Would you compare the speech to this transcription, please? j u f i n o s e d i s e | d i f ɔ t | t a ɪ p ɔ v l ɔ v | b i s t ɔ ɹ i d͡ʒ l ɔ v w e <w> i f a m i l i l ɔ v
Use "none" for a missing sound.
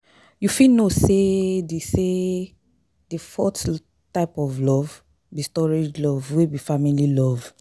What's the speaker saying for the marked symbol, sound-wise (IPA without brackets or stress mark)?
b